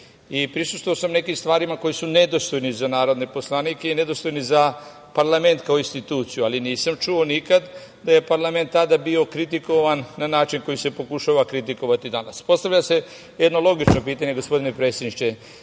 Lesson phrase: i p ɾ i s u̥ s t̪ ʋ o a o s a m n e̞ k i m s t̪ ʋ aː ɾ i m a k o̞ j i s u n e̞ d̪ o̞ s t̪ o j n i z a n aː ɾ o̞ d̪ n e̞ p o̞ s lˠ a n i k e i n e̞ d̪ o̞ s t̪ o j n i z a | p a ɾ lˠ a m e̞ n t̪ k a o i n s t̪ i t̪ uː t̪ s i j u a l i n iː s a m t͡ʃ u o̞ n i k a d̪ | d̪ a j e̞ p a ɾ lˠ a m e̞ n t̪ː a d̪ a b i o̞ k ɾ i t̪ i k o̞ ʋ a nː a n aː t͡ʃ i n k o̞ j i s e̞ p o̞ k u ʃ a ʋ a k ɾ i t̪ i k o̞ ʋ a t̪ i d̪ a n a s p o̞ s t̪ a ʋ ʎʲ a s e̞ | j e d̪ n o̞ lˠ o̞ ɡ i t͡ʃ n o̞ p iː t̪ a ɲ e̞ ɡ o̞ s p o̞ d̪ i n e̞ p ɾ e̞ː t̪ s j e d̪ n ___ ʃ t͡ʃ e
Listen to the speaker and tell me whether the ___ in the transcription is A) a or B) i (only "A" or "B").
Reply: B